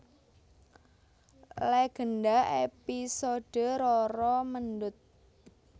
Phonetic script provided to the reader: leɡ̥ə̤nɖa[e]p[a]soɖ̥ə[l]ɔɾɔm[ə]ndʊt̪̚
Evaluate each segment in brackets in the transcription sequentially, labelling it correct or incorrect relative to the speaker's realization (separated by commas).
correct, incorrect, incorrect, correct